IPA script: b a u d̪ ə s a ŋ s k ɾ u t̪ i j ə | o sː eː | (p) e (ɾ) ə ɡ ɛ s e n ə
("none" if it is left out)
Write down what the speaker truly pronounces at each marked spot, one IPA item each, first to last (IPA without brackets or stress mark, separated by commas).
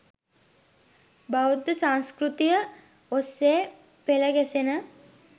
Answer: p, l